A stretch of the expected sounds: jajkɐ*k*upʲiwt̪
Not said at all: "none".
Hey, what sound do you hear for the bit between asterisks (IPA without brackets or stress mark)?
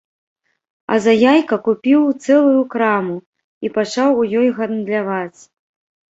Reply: k